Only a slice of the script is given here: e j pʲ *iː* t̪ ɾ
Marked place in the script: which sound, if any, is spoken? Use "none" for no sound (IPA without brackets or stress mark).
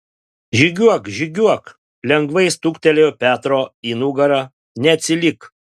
æː